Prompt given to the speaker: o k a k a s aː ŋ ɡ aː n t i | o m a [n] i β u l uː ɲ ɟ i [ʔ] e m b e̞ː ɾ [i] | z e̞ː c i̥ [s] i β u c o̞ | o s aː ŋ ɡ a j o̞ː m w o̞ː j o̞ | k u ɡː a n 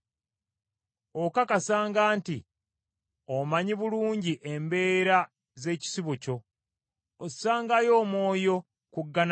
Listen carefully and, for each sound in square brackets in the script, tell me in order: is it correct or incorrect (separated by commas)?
incorrect, correct, incorrect, correct